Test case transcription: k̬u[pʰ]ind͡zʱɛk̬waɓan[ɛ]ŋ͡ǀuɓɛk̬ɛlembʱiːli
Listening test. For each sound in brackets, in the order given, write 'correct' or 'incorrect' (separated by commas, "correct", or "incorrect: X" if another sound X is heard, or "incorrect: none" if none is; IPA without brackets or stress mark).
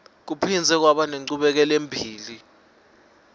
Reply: correct, incorrect: e